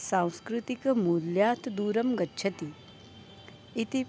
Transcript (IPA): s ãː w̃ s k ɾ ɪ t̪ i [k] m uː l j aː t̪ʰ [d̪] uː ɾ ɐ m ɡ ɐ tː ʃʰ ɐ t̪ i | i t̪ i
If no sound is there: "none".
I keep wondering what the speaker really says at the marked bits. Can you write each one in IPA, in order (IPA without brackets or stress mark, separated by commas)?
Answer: k, d̪